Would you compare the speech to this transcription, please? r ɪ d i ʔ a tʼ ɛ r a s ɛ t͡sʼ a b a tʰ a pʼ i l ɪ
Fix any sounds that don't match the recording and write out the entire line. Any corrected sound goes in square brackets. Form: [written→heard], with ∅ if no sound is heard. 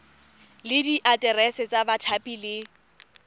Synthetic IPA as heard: [r→l] ɪ d i ʔ a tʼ ɛ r [a→ɛ] s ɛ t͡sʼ a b a tʰ a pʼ i l ɪ